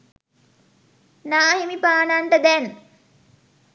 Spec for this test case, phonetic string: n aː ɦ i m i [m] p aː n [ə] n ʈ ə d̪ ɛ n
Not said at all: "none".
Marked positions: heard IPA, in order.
none, a

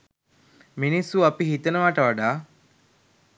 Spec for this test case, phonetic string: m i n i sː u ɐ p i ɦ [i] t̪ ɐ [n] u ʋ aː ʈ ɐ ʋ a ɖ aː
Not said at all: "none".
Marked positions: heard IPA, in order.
i, n

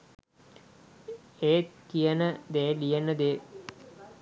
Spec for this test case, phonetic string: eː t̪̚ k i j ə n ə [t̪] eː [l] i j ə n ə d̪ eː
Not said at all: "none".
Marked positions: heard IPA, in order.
d̪, l

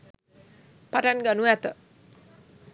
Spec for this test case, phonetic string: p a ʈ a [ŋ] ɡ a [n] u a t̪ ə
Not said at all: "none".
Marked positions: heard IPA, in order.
n, n

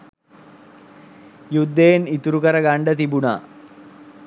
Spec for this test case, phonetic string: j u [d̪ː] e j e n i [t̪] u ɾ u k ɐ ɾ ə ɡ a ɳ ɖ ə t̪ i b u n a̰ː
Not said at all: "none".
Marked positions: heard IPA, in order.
d̪ː, t̪

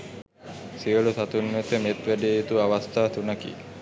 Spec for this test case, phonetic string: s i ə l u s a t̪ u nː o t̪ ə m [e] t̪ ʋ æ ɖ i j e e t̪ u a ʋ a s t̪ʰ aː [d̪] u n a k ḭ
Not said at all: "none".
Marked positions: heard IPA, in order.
e, t̪

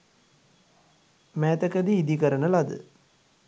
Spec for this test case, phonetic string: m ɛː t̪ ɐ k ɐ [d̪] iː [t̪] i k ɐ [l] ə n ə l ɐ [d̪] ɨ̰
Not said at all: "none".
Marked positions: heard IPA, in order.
d̪, d̪, ɾ, d̪

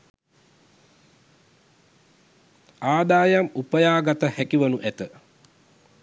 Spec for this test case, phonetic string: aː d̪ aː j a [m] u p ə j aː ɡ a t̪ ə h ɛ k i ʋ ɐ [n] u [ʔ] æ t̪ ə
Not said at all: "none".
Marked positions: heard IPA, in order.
m, n, ʔ

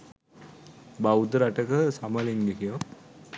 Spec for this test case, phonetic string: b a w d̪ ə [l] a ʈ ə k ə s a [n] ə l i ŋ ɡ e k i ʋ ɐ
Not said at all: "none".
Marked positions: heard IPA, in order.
ɾ, m

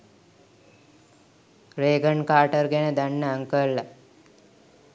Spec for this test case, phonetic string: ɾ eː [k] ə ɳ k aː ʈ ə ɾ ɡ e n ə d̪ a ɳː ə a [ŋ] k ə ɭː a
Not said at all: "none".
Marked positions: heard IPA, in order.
ɡ, ŋ

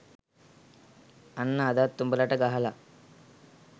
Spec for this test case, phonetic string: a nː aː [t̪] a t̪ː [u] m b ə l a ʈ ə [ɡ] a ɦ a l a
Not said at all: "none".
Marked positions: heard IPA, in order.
d̪, u, ɡ

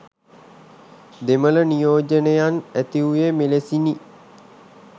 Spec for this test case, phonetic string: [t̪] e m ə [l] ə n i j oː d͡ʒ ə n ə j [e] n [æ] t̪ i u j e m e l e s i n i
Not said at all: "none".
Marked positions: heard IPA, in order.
d̪, l, a, æ

